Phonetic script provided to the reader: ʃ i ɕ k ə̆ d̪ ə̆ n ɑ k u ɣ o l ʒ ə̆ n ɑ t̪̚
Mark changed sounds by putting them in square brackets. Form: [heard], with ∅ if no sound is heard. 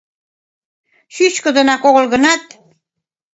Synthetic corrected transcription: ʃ [y] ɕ k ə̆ d̪ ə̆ n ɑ k [o] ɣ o l [ɣ] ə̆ n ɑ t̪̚